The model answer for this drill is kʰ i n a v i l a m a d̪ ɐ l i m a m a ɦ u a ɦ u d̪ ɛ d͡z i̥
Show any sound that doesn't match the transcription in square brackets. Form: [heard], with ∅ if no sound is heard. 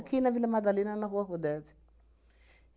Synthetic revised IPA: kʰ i n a v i l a m a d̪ [a] l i [n] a [n] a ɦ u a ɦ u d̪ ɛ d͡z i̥

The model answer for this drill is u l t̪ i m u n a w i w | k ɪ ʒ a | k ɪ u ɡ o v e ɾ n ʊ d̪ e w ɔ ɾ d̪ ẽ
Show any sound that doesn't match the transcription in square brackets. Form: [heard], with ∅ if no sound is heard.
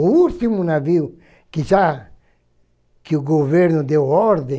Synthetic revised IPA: u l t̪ i m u n a [v] i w | k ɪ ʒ a | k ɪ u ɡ o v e ɾ n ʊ d̪ e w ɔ ɾ d̪ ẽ

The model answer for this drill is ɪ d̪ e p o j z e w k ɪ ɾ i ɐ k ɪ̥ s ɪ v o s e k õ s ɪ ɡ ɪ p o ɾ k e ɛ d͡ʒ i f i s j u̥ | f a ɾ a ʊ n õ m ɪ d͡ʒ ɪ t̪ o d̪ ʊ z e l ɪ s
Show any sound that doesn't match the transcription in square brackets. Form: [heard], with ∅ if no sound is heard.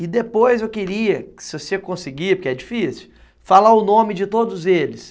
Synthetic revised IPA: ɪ d̪ e p o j z e w k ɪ ɾ i ɐ k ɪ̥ s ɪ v o s e k õ s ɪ ɡ [i] p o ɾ k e ɛ d͡ʒ i f i s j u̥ | f a [l] a ʊ n õ m ɪ d͡ʒ ɪ t̪ o d̪ ʊ z e l ɪ s

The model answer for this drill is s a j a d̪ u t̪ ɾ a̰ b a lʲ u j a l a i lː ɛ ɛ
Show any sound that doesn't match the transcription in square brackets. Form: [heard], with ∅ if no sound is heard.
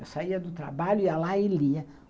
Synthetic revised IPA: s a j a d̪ u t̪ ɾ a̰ b a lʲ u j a l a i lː [i] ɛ

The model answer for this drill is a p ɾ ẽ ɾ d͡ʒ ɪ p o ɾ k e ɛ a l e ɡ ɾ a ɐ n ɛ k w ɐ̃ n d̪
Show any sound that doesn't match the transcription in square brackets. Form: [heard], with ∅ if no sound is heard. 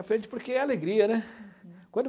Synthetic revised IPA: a p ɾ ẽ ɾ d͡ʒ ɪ p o ɾ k e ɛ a l e ɡ ɾ [i] ɐ n ɛ k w ɐ̃ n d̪

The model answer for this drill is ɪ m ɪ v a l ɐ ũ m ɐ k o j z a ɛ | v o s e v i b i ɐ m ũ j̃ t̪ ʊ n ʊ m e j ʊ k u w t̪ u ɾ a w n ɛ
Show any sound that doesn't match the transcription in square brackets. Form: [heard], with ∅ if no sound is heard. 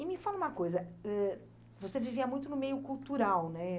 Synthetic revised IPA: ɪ m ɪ [f] a l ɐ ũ m ɐ k o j z [ɐ] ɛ | v o s e v i [v] i ɐ m ũ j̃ t̪ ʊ n ʊ m e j ʊ k u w t̪ u ɾ a w n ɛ

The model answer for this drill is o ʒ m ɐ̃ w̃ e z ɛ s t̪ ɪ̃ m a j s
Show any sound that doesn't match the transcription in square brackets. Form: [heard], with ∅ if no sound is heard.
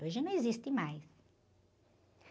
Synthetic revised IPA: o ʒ [n] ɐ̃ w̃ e z [i] s t̪ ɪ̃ m a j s

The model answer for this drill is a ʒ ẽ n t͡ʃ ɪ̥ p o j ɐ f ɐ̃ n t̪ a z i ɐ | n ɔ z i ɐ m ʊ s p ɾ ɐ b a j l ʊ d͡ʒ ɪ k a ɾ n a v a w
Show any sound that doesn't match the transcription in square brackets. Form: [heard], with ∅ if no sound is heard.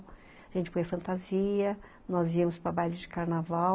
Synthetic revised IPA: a ʒ ẽ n t͡ʃ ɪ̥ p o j ɐ f ɐ̃ n t̪ a z i ɐ | n ɔ z i ɐ m ʊ s p ɾ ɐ b a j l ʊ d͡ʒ ɪ k a ɾ n a v a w

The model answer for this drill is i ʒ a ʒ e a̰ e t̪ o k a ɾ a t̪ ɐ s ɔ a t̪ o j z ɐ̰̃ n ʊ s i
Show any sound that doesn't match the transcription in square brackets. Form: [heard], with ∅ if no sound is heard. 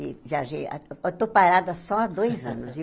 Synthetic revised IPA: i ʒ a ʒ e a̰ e t̪ o [p] a ɾ a [d̪] ɐ s ɔ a [d̪] o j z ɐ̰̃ n ʊ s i

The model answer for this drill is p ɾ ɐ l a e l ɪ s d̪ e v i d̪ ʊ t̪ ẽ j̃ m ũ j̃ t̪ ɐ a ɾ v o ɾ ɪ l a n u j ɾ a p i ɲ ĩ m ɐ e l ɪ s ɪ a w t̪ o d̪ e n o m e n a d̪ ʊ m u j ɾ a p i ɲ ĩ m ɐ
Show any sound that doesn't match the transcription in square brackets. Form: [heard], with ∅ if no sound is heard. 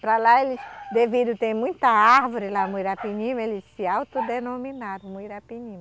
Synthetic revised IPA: p ɾ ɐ l a e l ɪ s d̪ e v i d̪ ʊ t̪ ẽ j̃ m ũ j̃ t̪ ɐ a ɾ v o ɾ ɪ l a [m] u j ɾ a p i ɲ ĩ m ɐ e l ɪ s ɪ a w t̪ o d̪ e n o m [i] n a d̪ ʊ m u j ɾ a p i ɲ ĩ m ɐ

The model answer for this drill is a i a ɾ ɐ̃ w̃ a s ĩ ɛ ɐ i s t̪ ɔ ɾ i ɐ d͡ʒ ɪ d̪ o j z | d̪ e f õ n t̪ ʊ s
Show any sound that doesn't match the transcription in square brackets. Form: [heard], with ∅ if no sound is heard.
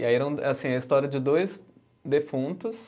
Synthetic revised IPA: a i [ɛ] ɾ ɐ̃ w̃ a s ĩ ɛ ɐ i s t̪ ɔ ɾ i ɐ d͡ʒ ɪ d̪ o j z | d̪ e f [ũ] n t̪ ʊ s

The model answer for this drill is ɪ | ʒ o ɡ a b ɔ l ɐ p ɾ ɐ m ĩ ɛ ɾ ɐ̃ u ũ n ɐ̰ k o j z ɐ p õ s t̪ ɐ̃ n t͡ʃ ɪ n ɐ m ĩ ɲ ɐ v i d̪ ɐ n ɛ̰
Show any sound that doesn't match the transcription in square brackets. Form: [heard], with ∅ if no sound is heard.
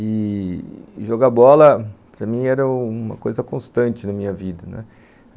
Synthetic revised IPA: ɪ | ʒ o ɡ a b ɔ l ɐ p ɾ ɐ m ĩ ɛ ɾ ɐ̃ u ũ [m] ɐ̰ k o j z ɐ [k] õ s t̪ ɐ̃ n t͡ʃ ɪ n ɐ m ĩ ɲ ɐ v i d̪ ɐ n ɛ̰

